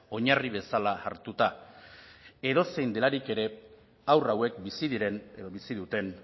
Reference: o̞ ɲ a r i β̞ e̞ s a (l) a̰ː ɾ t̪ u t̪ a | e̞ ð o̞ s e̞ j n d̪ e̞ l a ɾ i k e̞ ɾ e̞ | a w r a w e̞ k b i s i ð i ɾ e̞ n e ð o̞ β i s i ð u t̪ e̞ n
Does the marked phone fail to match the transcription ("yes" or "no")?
no